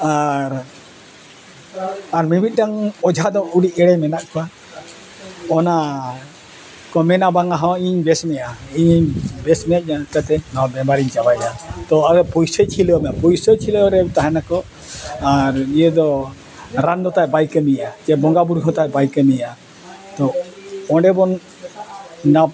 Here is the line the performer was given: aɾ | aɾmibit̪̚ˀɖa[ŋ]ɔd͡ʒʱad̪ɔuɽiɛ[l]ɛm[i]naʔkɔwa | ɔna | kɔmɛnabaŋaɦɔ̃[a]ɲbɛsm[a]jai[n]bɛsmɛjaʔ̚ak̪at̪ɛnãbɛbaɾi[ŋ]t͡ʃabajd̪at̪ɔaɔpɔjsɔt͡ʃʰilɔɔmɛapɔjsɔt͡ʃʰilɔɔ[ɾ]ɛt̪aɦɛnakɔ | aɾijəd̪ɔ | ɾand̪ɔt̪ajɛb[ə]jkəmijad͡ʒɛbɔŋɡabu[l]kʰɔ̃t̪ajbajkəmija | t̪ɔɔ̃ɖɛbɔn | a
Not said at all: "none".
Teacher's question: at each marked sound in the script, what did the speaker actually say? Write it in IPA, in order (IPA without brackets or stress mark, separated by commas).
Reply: ŋ, ɽ, ɛ, i, ɛ, ɲ, ɲ, ɾ, a, ɾ